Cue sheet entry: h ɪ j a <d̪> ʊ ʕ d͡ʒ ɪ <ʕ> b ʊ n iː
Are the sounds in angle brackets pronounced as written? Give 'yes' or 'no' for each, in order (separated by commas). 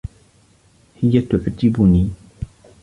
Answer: no, no